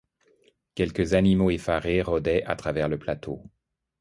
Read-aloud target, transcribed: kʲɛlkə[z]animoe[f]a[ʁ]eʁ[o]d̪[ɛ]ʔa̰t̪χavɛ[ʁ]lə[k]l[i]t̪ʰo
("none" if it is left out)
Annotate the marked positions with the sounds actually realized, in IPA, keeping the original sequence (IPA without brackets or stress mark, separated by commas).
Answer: z, f, ʁ, ɔ, ɛ, ʁ, p, a